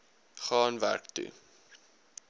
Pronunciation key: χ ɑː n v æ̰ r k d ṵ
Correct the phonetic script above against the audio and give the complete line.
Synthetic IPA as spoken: χ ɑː n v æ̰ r k t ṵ